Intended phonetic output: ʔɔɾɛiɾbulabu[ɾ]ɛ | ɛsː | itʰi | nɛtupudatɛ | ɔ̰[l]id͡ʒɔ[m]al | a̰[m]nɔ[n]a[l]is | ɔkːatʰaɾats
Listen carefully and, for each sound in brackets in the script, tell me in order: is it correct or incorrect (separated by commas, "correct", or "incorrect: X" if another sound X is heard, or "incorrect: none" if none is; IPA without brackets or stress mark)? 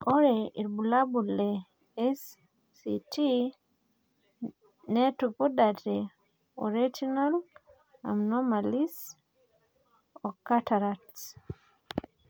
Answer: incorrect: l, incorrect: ɾ, incorrect: n, correct, incorrect: m, correct